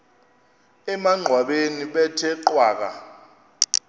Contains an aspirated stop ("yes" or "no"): yes